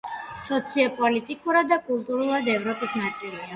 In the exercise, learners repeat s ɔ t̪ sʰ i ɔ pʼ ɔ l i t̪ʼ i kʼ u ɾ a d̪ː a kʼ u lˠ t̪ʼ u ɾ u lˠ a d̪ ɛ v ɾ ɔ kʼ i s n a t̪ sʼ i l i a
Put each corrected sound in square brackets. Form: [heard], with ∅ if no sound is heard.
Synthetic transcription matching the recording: s ɔ t̪ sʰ i ɔ pʼ ɔ l i t̪ʼ i kʼ u ɾ a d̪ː a kʼ u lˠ t̪ʼ u ɾ u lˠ a d̪ ɛ v ɾ ɔ [pʼ] i s n a t̪ sʼ i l i a